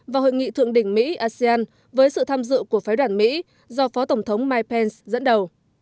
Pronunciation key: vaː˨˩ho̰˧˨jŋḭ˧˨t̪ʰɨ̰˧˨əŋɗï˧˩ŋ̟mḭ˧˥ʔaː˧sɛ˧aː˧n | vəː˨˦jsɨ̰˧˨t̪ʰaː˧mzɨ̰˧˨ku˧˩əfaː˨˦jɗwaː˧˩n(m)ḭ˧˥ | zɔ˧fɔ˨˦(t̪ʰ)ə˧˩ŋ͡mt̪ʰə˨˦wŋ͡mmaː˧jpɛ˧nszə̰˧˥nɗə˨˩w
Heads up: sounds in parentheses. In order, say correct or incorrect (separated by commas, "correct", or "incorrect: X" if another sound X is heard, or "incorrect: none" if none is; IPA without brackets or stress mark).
correct, incorrect: t̪